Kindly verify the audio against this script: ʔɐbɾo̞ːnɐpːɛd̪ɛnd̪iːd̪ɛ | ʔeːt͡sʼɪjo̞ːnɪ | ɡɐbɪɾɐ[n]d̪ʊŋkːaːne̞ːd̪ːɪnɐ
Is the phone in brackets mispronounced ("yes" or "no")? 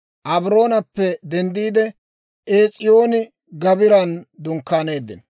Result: no